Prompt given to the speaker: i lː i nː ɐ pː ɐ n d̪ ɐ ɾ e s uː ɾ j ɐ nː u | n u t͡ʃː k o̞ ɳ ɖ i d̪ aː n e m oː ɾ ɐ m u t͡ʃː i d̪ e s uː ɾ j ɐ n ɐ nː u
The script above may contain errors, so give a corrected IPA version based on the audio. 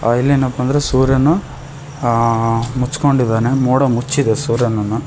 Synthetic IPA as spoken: i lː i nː ɐ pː ɐ n d̪ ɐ ɾ e s uː ɾ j ɐ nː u | m u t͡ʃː k o̞ ɳ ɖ i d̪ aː n e m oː ɽ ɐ m u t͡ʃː i d̪ e s uː ɾ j ɐ n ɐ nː u